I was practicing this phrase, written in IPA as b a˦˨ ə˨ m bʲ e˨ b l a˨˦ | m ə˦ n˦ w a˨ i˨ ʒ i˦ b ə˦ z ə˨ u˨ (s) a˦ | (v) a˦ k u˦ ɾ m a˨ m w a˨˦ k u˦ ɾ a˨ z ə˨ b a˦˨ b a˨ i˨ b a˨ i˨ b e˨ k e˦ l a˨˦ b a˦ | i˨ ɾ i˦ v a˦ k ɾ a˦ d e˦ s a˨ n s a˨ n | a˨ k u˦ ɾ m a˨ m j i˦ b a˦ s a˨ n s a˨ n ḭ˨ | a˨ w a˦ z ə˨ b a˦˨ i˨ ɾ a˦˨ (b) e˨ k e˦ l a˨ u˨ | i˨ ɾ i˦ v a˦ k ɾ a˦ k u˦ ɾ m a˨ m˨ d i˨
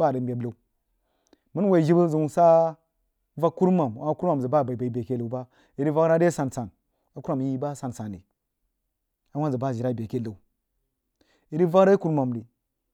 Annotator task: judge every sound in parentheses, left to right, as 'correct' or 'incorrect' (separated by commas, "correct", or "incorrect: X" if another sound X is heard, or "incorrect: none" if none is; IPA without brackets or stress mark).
correct, correct, correct